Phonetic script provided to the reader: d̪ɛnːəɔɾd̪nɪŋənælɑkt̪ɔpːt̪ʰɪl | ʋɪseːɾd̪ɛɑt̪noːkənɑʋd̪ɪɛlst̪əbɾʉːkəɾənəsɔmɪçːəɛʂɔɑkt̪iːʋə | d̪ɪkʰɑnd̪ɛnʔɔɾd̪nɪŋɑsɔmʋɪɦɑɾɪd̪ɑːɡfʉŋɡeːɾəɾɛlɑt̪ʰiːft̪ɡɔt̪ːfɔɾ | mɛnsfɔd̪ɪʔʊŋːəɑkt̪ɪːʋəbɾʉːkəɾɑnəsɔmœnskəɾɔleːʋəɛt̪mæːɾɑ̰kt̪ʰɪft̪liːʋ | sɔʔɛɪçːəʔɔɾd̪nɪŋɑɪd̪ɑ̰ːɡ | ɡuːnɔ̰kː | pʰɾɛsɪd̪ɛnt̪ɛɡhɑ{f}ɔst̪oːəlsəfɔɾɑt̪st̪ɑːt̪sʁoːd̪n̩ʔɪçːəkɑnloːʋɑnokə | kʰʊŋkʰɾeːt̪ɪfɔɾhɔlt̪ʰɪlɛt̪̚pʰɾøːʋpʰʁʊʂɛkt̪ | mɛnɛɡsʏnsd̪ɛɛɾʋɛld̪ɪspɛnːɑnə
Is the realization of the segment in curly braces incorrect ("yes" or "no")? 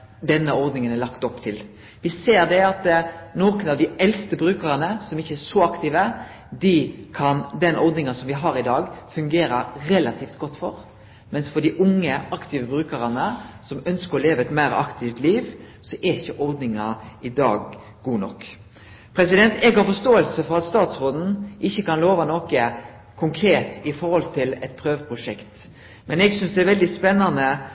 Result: no